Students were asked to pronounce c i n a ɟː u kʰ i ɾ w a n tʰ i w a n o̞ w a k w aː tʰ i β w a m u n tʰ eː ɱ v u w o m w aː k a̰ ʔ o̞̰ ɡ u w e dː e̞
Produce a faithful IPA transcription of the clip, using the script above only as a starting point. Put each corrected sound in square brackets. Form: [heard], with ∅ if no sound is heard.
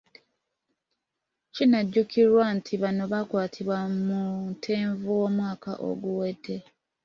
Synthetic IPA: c i n a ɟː u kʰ i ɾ w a n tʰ i [β] a n o̞ [β] a k w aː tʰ i β w a m u n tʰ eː ɱ v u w o m w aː k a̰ ʔ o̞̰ ɡ u w e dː e̞

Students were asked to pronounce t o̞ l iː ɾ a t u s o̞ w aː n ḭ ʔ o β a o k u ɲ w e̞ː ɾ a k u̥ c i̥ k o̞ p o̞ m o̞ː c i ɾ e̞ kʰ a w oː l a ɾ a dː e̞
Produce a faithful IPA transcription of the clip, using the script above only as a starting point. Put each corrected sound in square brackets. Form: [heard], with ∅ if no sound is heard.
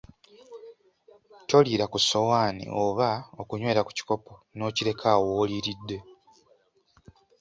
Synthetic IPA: t o̞ l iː ɾ a [k] u s o̞ w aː n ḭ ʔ o β a o k u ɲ w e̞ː ɾ a k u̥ c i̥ k o̞ p o̞ [n] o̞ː c i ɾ e̞ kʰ a w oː l [i] ɾ [i] dː e̞

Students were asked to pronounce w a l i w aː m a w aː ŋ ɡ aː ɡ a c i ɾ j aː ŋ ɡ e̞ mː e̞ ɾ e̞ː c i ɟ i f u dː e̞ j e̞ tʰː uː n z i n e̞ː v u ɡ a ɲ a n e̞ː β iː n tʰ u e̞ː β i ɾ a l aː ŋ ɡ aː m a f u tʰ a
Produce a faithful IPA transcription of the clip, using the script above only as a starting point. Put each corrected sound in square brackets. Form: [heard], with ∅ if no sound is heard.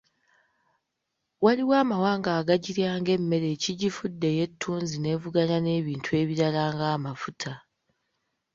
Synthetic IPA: w a l i w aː m a w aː ŋ ɡ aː ɡ a [ɟ] i ɾ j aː ŋ ɡ e̞ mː e̞ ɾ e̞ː c i ɟ i f u dː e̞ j e̞ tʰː uː n z i n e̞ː v u ɡ a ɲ a n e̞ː β iː n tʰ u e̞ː β i ɾ a l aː ŋ ɡ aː m a f u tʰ a

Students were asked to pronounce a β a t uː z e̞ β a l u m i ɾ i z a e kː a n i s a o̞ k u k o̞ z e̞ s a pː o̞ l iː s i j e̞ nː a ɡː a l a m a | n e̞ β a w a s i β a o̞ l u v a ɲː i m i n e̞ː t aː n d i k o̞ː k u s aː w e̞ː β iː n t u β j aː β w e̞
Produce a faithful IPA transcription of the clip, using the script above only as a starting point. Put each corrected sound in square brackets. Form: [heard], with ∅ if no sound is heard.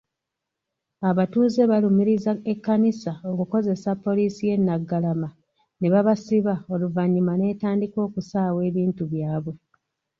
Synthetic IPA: a β a t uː z e̞ β a l u m i ɾ i z a e kː a n i s a o̞ k u k o̞ z e̞ s a pː o̞ l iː s i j e̞ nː a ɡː a l a m a | n e̞ β a [β] a s i β a o̞ l u v a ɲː i m [a] n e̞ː t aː n d i k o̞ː k u s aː w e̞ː β iː n t u β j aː β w e̞

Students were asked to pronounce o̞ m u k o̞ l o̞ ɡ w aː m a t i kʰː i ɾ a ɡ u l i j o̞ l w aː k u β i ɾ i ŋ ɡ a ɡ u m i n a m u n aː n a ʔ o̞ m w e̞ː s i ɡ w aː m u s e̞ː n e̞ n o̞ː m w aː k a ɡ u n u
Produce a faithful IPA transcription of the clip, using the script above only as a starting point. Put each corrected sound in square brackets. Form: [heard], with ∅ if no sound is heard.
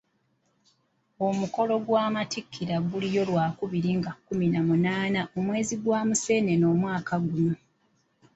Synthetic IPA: o̞ m u k o̞ l o̞ ɡ w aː m a t i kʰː i ɾ a ɡ u l i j o̞ l w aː k u β i ɾ i ŋ ɡ a [k] u m i n a m u n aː n a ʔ o̞ m w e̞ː [z] i ɡ w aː m u s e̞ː n e̞ n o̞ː m w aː k a ɡ u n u

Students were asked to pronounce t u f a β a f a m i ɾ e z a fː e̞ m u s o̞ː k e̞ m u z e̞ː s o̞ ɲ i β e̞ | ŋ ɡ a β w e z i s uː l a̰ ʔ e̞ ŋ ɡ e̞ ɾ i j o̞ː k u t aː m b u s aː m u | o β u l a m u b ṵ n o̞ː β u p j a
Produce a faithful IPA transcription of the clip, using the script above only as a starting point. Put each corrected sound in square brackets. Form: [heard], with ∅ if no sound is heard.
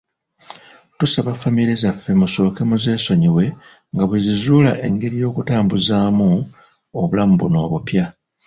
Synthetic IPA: t u [s] a β a f a m i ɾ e z a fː e̞ m u s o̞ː k e̞ m u z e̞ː s o̞ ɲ i [w] e̞ | ŋ ɡ a β w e z i [z] uː l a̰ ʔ e̞ ŋ ɡ e̞ ɾ i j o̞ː k u t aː m b u [z] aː m u | o β u l a m u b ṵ n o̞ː β u p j a

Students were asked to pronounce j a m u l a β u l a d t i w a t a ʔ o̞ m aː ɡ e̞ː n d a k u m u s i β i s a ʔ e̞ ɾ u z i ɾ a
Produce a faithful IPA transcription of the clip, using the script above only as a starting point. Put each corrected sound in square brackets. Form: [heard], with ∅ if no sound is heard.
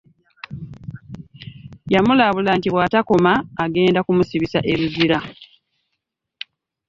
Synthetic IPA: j a m u l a β u l a [n] t i w a t a [k] o̞ m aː ɡ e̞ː n d a k u m u s i β i s a ʔ e̞ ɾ u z i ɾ a

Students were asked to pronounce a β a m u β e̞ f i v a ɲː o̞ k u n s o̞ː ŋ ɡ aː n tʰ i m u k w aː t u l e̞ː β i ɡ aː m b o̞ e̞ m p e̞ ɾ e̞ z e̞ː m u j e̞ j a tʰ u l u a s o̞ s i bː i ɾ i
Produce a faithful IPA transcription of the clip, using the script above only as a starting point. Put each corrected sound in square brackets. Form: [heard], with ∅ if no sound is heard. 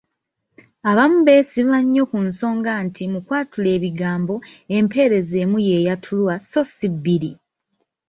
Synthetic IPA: a β a m u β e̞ [s] i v a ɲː o̞ k u n s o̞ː ŋ ɡ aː n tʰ i m u k w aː t u l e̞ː β i ɡ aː m b o̞ e̞ m p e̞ ɾ e̞ z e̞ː m u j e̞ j a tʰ u l [w] a s o̞ s i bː i ɾ i

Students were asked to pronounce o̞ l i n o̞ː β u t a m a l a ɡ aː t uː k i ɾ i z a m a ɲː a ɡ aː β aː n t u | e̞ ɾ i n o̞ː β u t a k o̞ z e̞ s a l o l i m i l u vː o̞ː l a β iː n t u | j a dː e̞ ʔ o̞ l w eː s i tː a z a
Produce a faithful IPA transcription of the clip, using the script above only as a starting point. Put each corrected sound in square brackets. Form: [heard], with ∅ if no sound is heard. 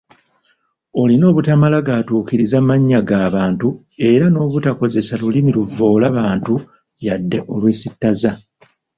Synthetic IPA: o̞ l i n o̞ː β u t a m a l a ɡ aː t uː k i ɾ i z a m a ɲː a ɡ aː β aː n t u | e̞ ɾ [a] n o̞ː β u t a k o̞ z e̞ s a l [u] l i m i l u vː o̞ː l a β [aː] n t u | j a dː e̞ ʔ o̞ l w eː s i tː a z a

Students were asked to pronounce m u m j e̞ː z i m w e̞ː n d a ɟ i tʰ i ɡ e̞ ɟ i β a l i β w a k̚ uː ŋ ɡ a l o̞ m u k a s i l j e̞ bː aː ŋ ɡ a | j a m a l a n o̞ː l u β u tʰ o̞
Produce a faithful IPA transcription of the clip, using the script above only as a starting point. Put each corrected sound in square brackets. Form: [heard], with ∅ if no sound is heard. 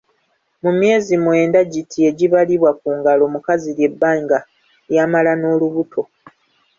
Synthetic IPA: m u m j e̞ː z i m w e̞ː n d a ɟ i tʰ i [∅] e̞ ɟ i β a l i β w a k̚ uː ŋ ɡ a l o̞ m u k a [z] i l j e̞ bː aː ŋ ɡ a | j a m a l a n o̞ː l u β u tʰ o̞

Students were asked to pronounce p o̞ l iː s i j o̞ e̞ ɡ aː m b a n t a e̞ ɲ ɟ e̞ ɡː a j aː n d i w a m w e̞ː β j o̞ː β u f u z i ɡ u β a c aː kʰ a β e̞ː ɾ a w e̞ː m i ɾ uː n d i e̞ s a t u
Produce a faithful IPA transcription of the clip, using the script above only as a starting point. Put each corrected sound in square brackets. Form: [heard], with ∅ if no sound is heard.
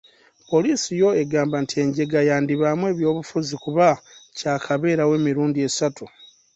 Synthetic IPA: p o̞ l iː s i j o̞ e̞ ɡ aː m b a n t [i] e̞ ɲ ɟ e̞ [ɡ] a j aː n d i [β] a m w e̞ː β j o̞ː β u f u z i [k] u β a c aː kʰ a β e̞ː ɾ a w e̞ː m i ɾ uː n d i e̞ s a t u

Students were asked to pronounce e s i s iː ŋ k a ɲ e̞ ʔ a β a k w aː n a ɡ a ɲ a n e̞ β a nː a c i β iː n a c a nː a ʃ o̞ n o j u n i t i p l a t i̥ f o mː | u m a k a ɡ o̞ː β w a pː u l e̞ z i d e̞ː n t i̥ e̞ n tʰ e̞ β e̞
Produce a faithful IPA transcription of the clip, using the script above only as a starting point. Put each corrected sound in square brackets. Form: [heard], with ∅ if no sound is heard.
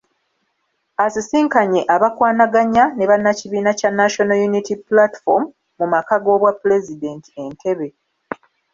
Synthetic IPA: [a] s i s iː ŋ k a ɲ e̞ ʔ a β a k w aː n a ɡ a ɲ a n e̞ β a nː a c i β iː n a c a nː a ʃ o̞ n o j u n i t i p l a t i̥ f o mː | u m a k a ɡ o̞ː β w a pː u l e̞ z i d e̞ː n t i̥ e̞ n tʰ e̞ β e̞

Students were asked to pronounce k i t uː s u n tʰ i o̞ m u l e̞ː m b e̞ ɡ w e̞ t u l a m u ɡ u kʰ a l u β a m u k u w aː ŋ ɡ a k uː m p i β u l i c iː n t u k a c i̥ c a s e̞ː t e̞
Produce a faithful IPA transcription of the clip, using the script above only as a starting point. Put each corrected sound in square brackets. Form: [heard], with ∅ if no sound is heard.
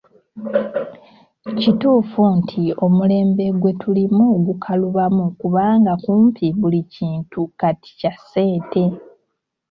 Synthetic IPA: [c] i t uː [f] u n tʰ i o̞ m u l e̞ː m b e̞ ɡ w e̞ t u l [i] m u ɡ u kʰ a l u β a m u k u [β] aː ŋ ɡ a k uː m p i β u l i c iː n t u k a [t] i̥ c a s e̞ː t e̞

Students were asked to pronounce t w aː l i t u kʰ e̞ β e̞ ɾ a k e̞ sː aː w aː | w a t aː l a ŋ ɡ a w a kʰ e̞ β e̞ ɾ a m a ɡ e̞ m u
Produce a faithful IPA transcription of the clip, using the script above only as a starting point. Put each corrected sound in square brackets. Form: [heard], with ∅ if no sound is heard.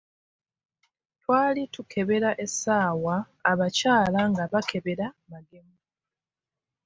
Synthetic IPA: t w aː l i t u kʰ e̞ β e̞ ɾ a [ʔ] e̞ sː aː w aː | [β] a [c] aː l a ŋ ɡ a [β] a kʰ e̞ β e̞ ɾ a m a ɡ e̞ m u

